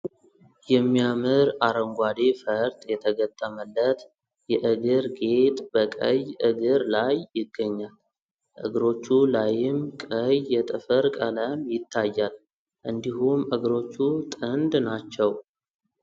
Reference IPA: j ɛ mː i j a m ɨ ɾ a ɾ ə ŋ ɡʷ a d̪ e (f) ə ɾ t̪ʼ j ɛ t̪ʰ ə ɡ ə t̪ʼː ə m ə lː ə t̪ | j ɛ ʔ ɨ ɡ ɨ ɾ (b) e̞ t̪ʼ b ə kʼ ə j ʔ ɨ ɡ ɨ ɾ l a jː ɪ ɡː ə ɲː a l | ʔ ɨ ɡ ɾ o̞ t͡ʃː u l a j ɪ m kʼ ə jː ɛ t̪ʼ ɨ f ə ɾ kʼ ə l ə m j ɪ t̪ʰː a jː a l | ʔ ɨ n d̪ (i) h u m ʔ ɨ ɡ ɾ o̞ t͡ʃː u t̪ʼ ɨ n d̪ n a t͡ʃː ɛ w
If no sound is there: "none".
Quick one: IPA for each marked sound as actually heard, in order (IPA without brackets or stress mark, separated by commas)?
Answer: f, ɡ, i